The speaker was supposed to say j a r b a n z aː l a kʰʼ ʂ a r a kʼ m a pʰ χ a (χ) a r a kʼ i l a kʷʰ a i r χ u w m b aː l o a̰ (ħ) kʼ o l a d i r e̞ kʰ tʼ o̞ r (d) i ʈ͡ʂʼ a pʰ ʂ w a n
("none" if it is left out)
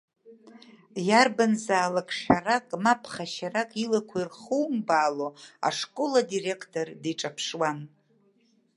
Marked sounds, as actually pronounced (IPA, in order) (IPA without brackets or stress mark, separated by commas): ʃ, ʂ, d